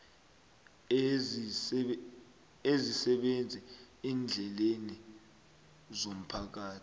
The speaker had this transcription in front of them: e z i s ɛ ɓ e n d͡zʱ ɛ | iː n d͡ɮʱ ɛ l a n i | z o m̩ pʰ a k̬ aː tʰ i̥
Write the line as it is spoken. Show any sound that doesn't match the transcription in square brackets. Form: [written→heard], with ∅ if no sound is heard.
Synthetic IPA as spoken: e z i s ɛ ɓ e n d͡zʱ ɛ | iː n d͡ɮʱ ɛ l [a→e] n i | z o m̩ pʰ a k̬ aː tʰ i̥